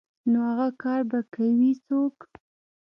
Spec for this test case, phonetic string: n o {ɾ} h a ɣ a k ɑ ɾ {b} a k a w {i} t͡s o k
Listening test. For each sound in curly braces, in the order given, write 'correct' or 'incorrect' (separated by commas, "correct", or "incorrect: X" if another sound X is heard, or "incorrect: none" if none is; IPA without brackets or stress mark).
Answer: incorrect: none, correct, correct